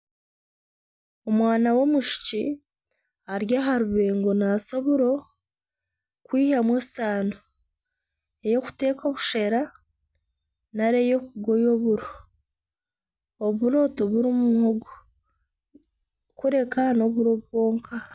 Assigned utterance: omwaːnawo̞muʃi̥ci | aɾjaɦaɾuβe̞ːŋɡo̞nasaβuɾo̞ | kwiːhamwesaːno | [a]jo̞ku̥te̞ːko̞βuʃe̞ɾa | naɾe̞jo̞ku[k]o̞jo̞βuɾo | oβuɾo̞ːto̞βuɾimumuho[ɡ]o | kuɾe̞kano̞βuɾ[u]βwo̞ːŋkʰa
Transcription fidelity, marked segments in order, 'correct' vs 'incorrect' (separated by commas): incorrect, incorrect, correct, incorrect